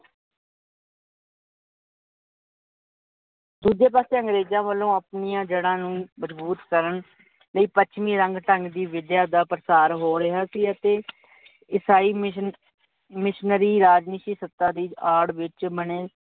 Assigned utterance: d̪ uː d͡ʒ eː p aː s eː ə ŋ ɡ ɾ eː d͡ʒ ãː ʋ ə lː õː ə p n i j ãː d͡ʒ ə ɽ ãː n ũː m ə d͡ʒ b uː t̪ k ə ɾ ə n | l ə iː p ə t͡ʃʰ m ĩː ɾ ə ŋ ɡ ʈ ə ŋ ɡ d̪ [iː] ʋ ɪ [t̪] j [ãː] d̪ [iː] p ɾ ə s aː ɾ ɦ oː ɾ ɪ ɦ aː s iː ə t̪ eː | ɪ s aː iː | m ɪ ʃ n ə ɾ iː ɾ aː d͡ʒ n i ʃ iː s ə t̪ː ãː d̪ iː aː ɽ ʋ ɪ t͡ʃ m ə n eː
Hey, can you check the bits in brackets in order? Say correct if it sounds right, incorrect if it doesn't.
correct, incorrect: d̪, incorrect: aː, incorrect: aː

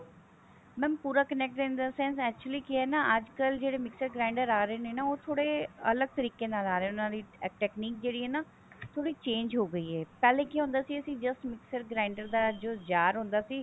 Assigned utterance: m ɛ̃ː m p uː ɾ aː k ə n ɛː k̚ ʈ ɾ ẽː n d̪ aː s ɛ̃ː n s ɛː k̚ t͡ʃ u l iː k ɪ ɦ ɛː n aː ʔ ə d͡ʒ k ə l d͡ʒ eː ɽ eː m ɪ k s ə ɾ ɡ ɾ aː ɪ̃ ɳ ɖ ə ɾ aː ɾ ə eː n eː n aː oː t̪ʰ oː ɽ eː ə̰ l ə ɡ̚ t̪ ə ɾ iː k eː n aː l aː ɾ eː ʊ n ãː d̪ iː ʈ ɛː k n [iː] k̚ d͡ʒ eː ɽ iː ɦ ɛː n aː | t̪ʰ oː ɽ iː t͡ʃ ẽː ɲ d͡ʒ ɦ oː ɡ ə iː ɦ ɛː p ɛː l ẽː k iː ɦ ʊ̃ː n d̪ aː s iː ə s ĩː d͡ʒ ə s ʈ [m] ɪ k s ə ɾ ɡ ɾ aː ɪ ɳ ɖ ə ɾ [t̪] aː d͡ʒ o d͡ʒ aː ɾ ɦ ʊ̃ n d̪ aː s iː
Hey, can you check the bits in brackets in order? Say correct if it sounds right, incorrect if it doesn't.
correct, correct, incorrect: d̪

